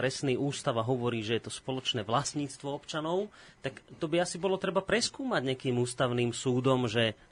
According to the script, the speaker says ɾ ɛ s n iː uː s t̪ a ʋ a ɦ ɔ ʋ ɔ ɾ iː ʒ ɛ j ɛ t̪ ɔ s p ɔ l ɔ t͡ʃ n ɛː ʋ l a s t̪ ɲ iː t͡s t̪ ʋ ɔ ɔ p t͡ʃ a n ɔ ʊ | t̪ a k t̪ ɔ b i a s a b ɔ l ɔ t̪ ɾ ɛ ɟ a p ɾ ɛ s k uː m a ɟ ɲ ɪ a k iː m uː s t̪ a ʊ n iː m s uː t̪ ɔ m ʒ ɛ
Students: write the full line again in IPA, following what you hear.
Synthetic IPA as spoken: ɾ ɛ s n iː uː s t̪ a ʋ a ɦ ɔ ʋ ɔ ɾ iː ʒ ɛ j ɛ t̪ ɔ s p ɔ l ɔ t͡ʃ n ɛː ʋ l a s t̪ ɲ iː t͡s t̪ ʋ ɔ ɔ p t͡ʃ a n ɔ ʊ | t̪ a k t̪ ɔ b i a s i b ɔ l ɔ t̪ ɾ ɛ b a p ɾ ɛ s k uː m a ɟ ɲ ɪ a k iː m uː s t̪ a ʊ n iː m s uː d̪ ɔ m ʒ ɛ